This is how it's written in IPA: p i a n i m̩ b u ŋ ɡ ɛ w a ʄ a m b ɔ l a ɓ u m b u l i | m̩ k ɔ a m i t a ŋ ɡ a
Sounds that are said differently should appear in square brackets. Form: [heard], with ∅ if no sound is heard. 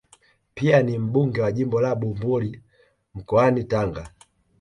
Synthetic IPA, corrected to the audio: p i a n i m̩ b u ŋ ɡ ɛ w a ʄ [i] m b ɔ l a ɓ u m b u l i | m̩ k ɔ a [n] i t a ŋ ɡ a